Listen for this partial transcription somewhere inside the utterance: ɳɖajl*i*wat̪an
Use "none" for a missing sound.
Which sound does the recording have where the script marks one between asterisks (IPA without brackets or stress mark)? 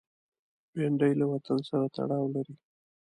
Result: a